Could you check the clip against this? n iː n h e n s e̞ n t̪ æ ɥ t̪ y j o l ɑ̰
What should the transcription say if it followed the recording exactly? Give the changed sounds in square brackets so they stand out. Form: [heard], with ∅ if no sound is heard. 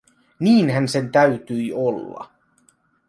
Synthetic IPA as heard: n iː n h [æ] n s e̞ n t̪ æ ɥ t̪ y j o [lː] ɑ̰